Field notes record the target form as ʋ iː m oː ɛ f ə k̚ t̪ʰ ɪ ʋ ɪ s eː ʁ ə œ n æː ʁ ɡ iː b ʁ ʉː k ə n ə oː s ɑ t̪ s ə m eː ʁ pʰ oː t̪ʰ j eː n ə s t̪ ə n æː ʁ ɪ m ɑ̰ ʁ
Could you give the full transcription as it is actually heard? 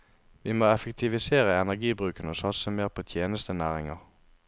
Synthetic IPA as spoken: ʋ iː m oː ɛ f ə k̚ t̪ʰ ɪ ʋ ɪ s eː ʁ ə ɛ n æ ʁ ɡ iː b ʁ ʉː k ə n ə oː s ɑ t̪ s ə m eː ʁ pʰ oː t̪ʰ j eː n ə s t̪ ə n æː ʁ ɪ ŋ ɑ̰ ʁ